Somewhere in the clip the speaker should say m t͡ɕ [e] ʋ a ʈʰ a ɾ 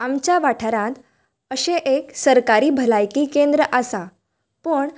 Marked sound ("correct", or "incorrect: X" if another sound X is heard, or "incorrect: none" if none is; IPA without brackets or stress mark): incorrect: a